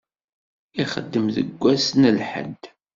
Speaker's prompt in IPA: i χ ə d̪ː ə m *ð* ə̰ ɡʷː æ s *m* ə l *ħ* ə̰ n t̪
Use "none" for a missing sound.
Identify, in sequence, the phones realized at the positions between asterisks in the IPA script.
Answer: ð, n, ħ

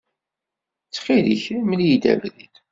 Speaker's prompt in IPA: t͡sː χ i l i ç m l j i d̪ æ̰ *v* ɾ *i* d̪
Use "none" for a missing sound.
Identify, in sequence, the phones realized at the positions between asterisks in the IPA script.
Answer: v, i

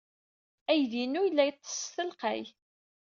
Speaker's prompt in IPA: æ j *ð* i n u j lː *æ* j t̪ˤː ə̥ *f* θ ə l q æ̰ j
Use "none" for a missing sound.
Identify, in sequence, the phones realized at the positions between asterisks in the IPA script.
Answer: ð, æ, s

